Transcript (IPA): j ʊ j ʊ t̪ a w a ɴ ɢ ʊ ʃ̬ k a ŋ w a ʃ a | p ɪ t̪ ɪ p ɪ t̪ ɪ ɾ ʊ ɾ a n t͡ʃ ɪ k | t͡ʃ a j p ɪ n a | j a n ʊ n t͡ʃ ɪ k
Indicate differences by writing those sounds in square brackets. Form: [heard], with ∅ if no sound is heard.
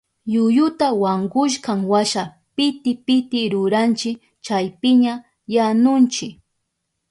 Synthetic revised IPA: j ʊ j ʊ t̪ a w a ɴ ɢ ʊ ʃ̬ k a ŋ w a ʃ a | p ɪ t̪ ɪ p ɪ t̪ ɪ ɾ ʊ ɾ a n t͡ʃ ɪ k | t͡ʃ a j p ɪ [ɲ] a | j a n ʊ n t͡ʃ ɪ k